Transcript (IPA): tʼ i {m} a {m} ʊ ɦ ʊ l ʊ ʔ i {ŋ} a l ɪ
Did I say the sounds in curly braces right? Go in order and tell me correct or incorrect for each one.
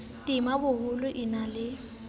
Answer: correct, incorrect, incorrect

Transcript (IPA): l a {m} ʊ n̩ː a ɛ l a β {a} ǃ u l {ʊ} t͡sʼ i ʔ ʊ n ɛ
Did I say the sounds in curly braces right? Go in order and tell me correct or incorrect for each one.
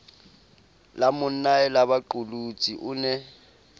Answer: correct, correct, incorrect

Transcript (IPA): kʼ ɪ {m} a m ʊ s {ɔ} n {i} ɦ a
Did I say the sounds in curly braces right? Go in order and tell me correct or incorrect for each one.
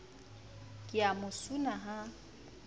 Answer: incorrect, incorrect, incorrect

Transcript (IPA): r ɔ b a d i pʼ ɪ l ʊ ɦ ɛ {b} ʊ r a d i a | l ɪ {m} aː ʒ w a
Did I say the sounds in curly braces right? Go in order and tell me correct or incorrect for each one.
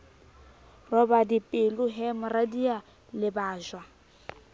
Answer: incorrect, incorrect

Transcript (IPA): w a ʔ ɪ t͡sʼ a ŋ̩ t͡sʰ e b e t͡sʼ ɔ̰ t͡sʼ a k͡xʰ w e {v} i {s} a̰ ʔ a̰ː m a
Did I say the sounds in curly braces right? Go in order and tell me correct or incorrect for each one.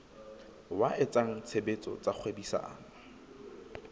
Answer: incorrect, correct

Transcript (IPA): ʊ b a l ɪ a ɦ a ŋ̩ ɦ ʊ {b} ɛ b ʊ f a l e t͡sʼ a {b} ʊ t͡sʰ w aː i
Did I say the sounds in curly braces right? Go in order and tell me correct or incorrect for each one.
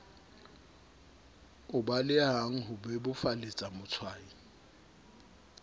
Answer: correct, incorrect

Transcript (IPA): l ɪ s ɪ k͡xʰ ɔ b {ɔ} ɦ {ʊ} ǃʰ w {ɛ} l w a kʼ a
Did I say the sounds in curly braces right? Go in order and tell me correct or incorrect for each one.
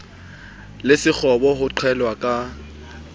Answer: correct, correct, correct

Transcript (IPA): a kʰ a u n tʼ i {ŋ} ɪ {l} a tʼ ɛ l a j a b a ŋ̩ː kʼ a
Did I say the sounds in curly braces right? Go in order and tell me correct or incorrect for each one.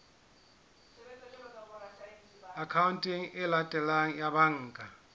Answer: correct, correct

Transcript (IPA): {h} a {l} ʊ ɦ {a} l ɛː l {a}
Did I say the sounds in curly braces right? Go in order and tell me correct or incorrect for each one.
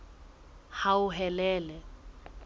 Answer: correct, incorrect, incorrect, incorrect

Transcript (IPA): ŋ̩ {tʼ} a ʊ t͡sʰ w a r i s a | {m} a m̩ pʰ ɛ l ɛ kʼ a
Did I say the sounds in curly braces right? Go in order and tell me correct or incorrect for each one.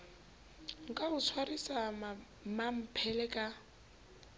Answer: incorrect, correct

